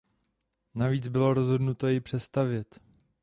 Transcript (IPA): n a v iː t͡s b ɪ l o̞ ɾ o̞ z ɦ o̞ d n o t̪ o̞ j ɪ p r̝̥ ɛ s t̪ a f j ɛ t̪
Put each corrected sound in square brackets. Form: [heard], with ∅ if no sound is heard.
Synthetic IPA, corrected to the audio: n a v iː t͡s b ɪ l o̞ ɾ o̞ z ɦ o̞ d n [u] t̪ o̞ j ɪ p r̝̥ ɛ s t̪ a [v] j ɛ t̪